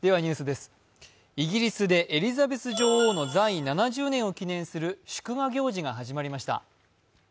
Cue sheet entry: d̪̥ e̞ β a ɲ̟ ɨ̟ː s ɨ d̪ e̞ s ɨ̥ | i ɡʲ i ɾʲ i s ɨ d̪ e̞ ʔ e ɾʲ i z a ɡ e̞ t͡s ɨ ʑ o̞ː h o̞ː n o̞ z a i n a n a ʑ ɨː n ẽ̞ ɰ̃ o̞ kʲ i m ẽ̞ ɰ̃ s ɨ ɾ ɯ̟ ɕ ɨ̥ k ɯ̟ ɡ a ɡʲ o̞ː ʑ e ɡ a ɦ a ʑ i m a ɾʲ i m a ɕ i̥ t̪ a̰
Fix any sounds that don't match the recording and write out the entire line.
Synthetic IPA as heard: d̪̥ e̞ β a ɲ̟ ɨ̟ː s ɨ d̪ e̞ s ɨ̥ | i ɡʲ i ɾʲ i s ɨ d̪ e̞ ʔ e ɾʲ i z a b e̞ t͡s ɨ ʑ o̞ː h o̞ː n o̞ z a i n a n a ʑ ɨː n ẽ̞ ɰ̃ o̞ kʲ i n ẽ̞ ɰ̃ s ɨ ɾ ɯ̟ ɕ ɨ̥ k ɯ̟ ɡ a ɡʲ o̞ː ʑ i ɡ a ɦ a ʑ i m a ɾʲ i m a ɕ i̥ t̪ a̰